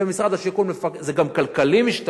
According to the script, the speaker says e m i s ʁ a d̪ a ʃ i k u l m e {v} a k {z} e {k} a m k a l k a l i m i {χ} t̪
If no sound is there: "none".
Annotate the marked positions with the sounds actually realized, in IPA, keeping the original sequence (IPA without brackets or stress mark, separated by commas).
f, z, ɡ, ʃ